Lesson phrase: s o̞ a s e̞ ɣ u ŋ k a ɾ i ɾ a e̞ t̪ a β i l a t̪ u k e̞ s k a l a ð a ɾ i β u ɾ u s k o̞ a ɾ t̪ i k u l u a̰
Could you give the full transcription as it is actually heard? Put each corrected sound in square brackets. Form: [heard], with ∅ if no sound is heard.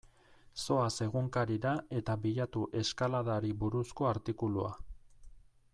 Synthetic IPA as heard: s o̞ a s e̞ ɣ u ŋ k a ɾ i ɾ a e̞ t̪ a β i [ʎ] a t̪ u [ʔ] e̞ s k a l a ð a ɾ i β u ɾ u s k o̞ a ɾ t̪ i k u l u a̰